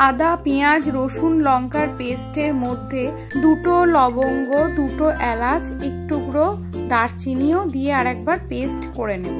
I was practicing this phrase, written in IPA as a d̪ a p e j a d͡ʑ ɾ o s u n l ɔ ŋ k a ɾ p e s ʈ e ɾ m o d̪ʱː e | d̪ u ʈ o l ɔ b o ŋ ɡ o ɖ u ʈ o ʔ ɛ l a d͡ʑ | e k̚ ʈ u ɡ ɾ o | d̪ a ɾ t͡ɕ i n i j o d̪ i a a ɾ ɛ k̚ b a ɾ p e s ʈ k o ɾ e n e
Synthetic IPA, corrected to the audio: a d̪ a p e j a d͡ʑ ɾ o ʃ u n l ɔ ŋ k a ɾ p e s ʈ e ɾ m o d̪ʱː e | d̪ u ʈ o l ɔ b o ŋ ɡ o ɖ u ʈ o ʔ ɛ l a d͡ʑ | e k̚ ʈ u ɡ ɾ o | d̪ a ɾ t͡ɕ i n i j o d̪ i e a ɾ ɛ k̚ b a ɾ p e s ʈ k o ɾ e n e

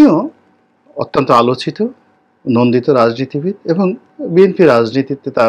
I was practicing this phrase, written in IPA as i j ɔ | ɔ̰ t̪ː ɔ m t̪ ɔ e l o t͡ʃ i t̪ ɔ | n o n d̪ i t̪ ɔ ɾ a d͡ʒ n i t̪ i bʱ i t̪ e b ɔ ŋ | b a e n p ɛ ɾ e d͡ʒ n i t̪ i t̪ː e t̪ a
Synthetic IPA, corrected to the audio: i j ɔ | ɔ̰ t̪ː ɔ n t̪ ɔ a l o t͡ʃ i t̪ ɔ | n o n d̪ i t̪ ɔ ɾ a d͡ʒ n i t̪ i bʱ i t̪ e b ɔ ŋ | b i e n p i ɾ a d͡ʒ n i t̪ i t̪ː e t̪ a

